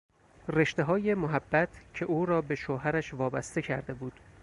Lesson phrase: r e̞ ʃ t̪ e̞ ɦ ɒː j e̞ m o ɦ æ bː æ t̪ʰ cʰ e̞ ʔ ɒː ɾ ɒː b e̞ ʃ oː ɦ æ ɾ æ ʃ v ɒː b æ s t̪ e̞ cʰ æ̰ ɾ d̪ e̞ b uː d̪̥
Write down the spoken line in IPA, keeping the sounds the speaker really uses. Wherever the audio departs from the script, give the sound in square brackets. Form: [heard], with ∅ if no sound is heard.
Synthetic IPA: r e̞ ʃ t̪ e̞ ɦ ɒː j e̞ m o ɦ æ bː æ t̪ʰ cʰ e̞ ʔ [uː] ɾ ɒː b e̞ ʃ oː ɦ æ ɾ æ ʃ v ɒː b æ s t̪ e̞ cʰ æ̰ ɾ d̪ e̞ b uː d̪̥